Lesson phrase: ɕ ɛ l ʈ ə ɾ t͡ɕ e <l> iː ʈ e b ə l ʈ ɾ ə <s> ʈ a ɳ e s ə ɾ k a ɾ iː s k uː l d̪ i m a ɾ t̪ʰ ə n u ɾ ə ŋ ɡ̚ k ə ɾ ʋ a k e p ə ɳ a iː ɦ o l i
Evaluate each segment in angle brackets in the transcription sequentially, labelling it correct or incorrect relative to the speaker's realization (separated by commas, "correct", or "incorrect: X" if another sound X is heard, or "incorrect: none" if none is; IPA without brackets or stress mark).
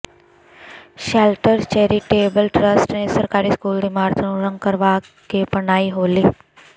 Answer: incorrect: ɾ, correct